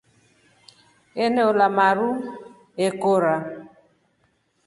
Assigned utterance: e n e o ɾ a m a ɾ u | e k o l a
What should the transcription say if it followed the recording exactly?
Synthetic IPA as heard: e n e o l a m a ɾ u | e k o ɾ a